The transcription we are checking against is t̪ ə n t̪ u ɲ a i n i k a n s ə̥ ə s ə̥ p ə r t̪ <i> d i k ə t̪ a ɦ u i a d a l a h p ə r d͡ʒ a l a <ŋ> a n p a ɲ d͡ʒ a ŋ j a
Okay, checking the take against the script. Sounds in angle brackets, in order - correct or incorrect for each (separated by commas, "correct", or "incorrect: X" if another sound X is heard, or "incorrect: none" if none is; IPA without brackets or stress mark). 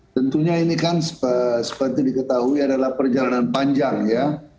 correct, incorrect: n